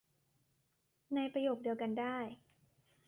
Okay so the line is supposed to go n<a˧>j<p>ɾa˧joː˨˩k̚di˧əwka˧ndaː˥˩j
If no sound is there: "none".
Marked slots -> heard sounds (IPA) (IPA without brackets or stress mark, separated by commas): a˧, p